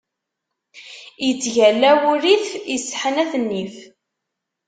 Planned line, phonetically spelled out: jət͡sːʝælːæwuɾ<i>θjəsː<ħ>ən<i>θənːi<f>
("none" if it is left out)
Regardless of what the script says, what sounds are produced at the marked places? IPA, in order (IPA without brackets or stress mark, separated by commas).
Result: i, ħ, æ, f